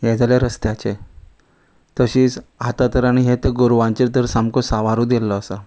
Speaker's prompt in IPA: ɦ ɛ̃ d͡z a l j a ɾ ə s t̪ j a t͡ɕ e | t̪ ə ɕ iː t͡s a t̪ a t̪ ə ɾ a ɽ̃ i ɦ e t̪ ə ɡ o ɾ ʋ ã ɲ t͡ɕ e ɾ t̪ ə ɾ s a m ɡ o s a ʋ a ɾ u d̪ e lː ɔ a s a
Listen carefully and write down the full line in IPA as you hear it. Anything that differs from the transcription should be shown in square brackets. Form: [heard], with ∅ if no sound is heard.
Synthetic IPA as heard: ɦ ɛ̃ d͡z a l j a ɾ ə s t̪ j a t͡ɕ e | t̪ ə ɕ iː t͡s a t̪ a t̪ ə ɾ a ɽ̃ i ɦ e t̪ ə ɡ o ɾ ʋ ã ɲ t͡ɕ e ɾ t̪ ə ɾ s a m [k] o s a ʋ a ɾ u d̪ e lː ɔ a s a